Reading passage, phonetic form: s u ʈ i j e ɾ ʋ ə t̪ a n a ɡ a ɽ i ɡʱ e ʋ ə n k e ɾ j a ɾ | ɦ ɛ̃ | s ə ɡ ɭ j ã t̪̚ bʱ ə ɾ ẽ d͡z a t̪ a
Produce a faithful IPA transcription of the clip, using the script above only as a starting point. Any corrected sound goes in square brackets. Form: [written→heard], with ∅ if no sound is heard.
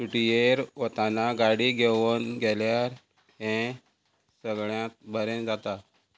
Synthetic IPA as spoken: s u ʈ i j e ɾ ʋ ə t̪ a n a ɡ a ɽ i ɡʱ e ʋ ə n [k→ɡ] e [ɾ→l] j a ɾ | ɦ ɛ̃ | s ə ɡ ɭ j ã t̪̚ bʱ ə ɾ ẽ d͡z a t̪ a